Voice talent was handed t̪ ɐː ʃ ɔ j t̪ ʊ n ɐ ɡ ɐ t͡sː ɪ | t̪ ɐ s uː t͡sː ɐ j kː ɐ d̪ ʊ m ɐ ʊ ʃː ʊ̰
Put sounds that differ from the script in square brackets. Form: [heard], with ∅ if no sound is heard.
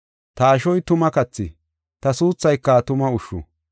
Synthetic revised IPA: t̪ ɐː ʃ ɔ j t̪ ʊ [m] ɐ [k] ɐ t͡sː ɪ | t̪ ɐ s uː t͡sː ɐ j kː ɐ [t̪] ʊ m ɐ ʊ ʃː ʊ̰